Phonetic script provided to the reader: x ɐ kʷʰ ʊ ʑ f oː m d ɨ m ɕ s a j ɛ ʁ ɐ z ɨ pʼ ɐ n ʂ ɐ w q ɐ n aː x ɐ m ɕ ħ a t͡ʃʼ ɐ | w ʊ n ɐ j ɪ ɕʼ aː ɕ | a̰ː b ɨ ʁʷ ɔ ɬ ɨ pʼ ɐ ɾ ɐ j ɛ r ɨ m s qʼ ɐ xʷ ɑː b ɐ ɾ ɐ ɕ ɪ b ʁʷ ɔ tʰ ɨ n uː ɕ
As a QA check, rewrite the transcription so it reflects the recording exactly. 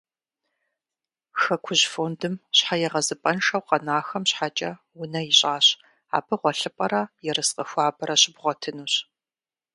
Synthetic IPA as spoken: x ɐ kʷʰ ʊ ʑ f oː n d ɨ m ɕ ħ a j ɛ ʁ ɐ z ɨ pʼ ɐ n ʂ ɐ w q ɐ n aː x ɐ m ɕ ħ a t͡ʃʼ ɐ | w ʊ n ɐ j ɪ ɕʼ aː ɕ | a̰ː b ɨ ʁʷ ɔ ɬ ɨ pʼ ɐ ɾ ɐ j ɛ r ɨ s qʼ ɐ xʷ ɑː b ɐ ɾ ɐ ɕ ɪ b ʁʷ ɔ tʰ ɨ n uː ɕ